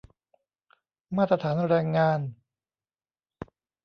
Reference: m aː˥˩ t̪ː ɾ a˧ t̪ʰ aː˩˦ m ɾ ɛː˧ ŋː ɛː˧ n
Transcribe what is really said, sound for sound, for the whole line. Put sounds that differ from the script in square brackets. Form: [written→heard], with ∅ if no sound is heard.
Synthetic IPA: m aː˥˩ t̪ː ɾ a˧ t̪ʰ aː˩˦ [m→n] ɾ ɛː˧ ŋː [ɛː˧→aː˧] n